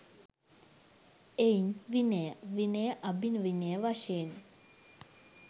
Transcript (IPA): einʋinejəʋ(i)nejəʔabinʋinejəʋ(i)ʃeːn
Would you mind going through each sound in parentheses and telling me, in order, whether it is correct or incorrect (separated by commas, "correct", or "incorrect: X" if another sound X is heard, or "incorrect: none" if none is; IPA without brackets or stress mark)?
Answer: correct, incorrect: a